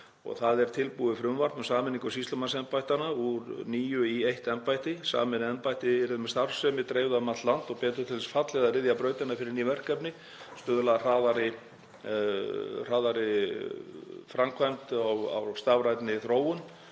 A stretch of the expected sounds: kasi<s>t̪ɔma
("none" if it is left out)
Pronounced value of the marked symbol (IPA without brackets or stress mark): s